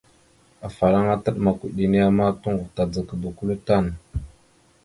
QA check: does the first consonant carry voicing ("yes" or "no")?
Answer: no